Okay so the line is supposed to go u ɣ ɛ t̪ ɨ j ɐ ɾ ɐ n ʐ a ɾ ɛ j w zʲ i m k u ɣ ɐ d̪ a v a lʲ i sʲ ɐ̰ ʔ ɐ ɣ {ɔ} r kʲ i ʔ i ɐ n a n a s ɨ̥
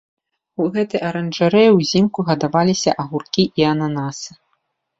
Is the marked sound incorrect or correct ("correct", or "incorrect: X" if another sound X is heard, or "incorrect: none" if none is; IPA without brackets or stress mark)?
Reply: incorrect: u